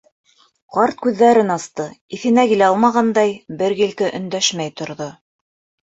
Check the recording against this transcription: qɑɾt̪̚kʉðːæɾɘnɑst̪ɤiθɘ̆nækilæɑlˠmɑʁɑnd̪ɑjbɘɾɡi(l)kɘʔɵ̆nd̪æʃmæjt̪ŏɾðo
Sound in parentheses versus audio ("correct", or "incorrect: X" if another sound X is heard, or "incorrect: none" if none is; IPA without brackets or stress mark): correct